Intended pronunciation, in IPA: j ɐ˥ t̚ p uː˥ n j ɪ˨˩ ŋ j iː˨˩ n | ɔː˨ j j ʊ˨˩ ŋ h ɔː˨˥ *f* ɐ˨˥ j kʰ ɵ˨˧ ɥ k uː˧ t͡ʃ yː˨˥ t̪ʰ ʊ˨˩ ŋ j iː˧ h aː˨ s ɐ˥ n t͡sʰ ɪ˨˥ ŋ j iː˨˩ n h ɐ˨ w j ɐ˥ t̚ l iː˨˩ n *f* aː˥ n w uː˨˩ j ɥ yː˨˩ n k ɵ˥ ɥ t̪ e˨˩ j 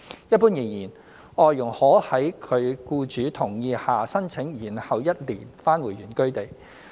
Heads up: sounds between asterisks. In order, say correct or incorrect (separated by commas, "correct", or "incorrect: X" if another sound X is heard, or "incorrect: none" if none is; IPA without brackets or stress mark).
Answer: incorrect: h, correct